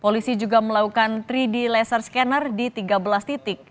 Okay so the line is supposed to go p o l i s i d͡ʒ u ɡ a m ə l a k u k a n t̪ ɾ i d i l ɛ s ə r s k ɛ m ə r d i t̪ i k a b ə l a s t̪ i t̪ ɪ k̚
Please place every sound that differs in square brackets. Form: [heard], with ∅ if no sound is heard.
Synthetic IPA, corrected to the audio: p o l i s i d͡ʒ u ɡ a m ə l a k u k a n t̪ ɾ i d i l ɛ s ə r s k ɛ [n] ə r d i t̪ i [ɡ] a b ə l a s t̪ i t̪ ɪ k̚

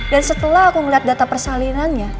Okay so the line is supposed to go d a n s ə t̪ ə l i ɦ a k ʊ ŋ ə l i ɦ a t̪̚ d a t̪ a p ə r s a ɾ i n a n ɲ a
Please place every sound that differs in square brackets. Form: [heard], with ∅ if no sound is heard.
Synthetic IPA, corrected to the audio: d a n s ə t̪ ə l [a] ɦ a k [u] ŋ ə l i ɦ a t̪̚ d a t̪ a p ə r s a [l] i n a n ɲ a

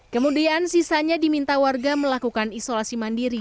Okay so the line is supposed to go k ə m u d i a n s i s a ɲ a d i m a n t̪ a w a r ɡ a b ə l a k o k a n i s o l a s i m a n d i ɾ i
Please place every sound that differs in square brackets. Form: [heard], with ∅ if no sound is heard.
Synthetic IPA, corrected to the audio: k ə m u d i a n s i s a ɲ a d i m [i] n t̪ a w a r ɡ a [m] ə l a k [u] k a n i s o l a s i m a n d i ɾ i

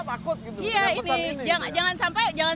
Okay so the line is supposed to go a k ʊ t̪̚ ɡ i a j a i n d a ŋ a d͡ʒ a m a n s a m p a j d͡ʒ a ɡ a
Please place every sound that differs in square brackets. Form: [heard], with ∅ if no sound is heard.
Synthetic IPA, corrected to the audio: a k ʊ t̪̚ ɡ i [i] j a i n [d͡ʒ] a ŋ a d͡ʒ a [ŋ] a n s a m p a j d͡ʒ a [ŋ] a

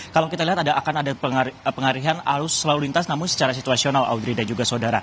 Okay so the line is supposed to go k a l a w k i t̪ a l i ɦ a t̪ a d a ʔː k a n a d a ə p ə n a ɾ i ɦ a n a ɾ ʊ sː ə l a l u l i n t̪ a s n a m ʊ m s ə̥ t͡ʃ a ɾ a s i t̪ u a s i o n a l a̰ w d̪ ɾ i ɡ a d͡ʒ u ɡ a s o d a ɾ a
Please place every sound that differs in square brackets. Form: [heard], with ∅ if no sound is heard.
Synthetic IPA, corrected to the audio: k a l a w k i t̪ a l i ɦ a t̪ a d a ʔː k a n a d a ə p ə [ŋ] a ɾ i ɦ a n a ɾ ʊ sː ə l a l u l i n t̪ a s n a m ʊ [n] s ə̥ t͡ʃ a ɾ a s i t̪ u a s i o n a l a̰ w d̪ ɾ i [d] a d͡ʒ u ɡ a s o d a ɾ a

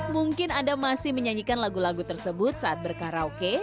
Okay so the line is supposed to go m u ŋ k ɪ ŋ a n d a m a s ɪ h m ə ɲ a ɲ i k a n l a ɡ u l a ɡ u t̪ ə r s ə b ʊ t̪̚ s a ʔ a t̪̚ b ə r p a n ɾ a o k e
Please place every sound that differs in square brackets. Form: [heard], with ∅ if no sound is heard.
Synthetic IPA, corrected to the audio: m u ŋ k ɪ [n] a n d a m a s ɪ h m ə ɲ a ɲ i k a n l a ɡ u l a ɡ u t̪ ə r s ə b ʊ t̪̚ s a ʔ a t̪̚ b ə r [k] a [∅] ɾ a o k e

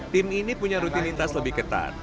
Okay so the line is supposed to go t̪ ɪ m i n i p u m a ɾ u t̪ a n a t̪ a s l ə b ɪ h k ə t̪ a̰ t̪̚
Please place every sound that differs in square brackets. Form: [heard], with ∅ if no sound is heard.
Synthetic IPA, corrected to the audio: t̪ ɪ m i n i p u [ɲ] a ɾ u t̪ [i] n [i] t̪ a s l ə b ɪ h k ə t̪ a̰ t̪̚

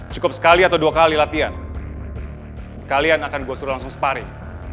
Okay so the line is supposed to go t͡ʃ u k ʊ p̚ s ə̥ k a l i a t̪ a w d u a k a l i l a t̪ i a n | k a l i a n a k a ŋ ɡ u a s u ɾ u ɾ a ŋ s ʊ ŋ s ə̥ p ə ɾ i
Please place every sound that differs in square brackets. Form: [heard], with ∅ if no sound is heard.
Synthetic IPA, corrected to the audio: t͡ʃ u k ʊ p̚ s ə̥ k a l i a t̪ a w d u a k a l i l a t̪ i a n | k a l i a n a k a [n] ɡ u a s u ɾ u [l] a ŋ s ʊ ŋ s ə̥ p [a] ɾ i

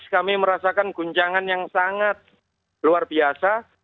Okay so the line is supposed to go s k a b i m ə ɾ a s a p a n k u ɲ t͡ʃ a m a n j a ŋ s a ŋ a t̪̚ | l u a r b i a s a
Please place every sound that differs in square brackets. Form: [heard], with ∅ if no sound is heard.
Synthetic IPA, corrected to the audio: s k a [m] i m ə ɾ a s a [k] a n [ɡ] u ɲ t͡ʃ a [ŋ] a n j a ŋ s a ŋ a t̪̚ | l u a r b i a s a

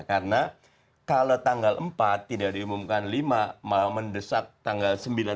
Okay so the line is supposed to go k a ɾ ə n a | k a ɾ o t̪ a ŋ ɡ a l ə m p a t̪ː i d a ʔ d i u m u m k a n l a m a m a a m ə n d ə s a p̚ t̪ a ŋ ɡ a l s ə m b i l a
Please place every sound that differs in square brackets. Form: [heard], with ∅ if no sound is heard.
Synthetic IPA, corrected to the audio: k a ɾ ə n a | k a [l] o t̪ a ŋ ɡ a l ə m p a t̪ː i d a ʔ d i u m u m k a n l [i] m a m a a m ə n d ə s a [k̚] t̪ a ŋ ɡ a l s ə m b i l a

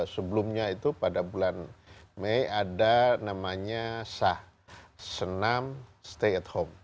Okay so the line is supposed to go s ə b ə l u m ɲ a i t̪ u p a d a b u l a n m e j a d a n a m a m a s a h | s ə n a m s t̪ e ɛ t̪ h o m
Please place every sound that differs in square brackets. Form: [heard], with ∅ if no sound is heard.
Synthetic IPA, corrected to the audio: s ə b ə l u m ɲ a i t̪ u p a d a b u l a n m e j a d a n a m a [ɲ] a s a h | s ə n a m s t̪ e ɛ t̪ h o m

